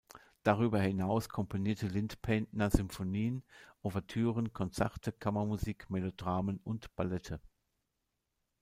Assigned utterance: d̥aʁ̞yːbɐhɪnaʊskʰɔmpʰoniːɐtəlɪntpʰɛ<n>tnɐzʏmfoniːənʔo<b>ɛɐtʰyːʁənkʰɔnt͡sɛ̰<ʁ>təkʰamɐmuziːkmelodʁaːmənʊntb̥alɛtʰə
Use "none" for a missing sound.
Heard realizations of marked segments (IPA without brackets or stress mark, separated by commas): n, v, ʁ